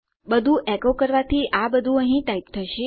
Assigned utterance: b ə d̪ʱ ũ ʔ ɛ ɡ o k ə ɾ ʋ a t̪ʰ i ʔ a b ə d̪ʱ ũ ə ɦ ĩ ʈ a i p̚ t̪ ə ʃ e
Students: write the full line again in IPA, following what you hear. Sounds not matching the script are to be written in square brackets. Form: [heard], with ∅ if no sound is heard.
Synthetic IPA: b ə d̪ʱ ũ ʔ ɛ [k] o k ə ɾ ʋ a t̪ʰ i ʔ a b ə d̪ʱ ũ ə ɦ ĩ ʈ a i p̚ [t̪ʰ] ə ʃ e